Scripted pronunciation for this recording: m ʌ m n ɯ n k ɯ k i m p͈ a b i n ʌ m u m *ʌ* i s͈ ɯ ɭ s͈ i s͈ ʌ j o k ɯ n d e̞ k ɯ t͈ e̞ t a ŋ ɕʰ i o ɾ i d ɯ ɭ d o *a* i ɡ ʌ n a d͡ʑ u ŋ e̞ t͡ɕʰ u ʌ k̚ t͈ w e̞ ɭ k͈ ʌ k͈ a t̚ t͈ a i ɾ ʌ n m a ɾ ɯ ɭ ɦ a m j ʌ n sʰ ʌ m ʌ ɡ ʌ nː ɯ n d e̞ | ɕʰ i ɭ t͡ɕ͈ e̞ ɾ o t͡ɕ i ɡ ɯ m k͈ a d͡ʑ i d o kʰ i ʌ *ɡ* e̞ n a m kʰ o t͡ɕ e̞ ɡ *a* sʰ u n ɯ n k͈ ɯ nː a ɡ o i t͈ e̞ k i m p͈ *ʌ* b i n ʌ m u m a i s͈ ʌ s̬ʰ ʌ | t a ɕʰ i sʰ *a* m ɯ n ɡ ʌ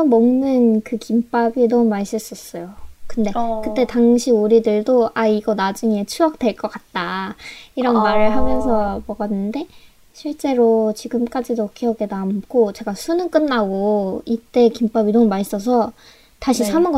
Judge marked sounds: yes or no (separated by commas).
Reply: no, yes, yes, yes, no, yes